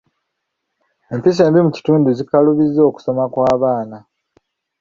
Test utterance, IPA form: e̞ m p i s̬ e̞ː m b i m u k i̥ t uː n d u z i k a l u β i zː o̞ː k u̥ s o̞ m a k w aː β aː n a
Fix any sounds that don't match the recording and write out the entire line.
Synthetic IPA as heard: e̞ m p i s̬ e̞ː m b i m u c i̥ t uː n d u z i k a l u β i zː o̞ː k u̥ s o̞ m a k w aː β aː n a